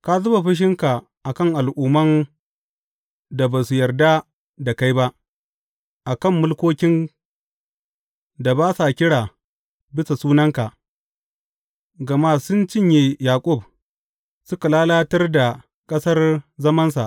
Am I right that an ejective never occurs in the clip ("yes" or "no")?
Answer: no